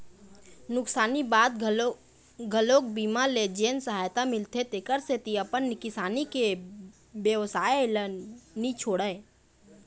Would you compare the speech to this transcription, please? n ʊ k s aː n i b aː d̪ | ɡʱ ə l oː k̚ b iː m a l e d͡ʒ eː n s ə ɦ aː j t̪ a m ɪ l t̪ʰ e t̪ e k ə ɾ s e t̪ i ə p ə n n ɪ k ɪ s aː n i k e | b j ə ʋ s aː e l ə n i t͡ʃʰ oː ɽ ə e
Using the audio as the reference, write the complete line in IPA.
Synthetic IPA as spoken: n ʊ k s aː n i b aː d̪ | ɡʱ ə l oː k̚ b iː m a l e d͡ʒ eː n s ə ɦ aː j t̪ a m ɪ l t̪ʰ e t̪ e k ə ɾ s e t̪ i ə p ə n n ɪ k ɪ s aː n i k e | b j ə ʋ s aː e l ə n i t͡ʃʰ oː ɽ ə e